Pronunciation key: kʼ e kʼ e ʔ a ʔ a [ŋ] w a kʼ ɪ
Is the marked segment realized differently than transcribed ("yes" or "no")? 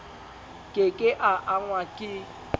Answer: no